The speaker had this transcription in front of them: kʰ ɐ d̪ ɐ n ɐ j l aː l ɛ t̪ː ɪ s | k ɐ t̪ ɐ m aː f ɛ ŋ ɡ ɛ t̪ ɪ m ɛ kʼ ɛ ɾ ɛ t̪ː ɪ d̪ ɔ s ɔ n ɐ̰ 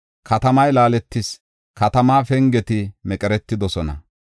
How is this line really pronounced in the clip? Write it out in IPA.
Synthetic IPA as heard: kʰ ɐ t̪ ɐ m ɐ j l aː l ɛ t̪ː ɪ s | k ɐ t̪ ɐ m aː f ɛ ŋ ɡ ɛ t̪ ɪ m ɛ kʼ ɛ ɾ ɛ t̪ː ɪ d̪ ɔ s ɔ n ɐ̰